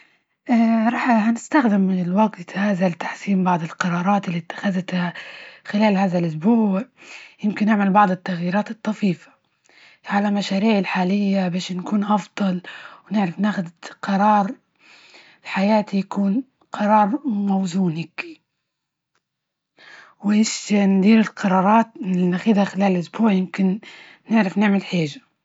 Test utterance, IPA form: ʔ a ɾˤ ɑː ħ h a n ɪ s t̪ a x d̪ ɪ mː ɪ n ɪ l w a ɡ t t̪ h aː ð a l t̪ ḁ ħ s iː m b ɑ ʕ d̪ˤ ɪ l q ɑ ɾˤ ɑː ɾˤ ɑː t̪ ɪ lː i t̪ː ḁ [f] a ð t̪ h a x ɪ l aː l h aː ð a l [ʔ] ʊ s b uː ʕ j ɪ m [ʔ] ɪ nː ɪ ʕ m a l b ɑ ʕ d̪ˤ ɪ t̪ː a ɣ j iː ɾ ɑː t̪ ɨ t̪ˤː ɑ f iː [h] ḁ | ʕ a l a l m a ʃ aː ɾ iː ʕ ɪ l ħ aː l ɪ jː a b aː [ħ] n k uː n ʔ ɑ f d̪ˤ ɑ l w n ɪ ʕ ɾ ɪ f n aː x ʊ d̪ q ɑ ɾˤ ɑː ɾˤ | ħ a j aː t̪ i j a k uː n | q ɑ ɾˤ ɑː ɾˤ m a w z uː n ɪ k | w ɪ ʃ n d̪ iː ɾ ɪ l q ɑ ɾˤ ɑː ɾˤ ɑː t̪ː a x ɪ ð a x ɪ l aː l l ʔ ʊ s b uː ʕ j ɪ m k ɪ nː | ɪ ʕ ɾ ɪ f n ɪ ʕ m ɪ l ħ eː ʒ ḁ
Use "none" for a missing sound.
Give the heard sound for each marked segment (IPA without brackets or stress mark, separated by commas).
x, ʔ, k, f, ʃ